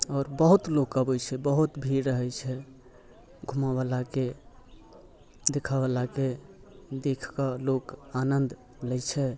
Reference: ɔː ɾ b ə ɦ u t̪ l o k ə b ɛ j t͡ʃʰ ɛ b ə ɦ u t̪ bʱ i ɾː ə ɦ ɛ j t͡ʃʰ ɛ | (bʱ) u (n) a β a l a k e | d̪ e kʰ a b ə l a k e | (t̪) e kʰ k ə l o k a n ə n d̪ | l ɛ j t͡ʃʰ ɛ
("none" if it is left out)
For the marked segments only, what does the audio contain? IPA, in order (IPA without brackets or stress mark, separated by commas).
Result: ɡʱ, m, d̪